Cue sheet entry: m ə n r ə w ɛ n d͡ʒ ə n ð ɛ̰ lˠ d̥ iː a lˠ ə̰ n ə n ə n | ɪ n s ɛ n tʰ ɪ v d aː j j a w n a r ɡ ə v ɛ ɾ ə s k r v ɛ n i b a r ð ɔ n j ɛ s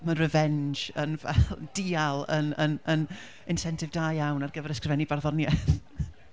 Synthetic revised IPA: m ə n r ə v ɛ n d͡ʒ ə n v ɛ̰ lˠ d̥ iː a lˠ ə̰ n ə n ə n | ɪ n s ɛ n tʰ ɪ v d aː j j a w n a r ɡ ə v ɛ ɾ ə s k r v ɛ n i b a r ð ɔ n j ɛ θ